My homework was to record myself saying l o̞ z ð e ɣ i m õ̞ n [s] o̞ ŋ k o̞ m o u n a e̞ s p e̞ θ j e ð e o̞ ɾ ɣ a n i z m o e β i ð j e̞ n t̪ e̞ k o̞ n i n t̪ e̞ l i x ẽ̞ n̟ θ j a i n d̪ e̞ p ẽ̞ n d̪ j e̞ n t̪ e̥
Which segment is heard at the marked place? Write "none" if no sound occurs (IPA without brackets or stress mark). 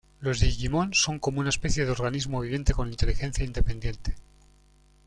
s